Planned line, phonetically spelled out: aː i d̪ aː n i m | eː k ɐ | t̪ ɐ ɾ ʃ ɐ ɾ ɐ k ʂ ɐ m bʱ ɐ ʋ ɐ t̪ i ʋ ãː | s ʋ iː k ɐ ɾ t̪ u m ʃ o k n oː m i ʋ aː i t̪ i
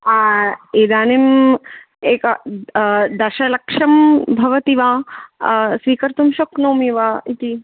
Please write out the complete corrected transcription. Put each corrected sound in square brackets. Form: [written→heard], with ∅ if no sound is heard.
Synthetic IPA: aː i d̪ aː n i m | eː k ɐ | [t̪→d̪] ɐ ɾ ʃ ɐ [ɾ→l] ɐ k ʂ ɐ m bʱ ɐ ʋ ɐ t̪ i ʋ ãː | s ʋ iː k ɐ ɾ t̪ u m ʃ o k n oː m i ʋ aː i t̪ i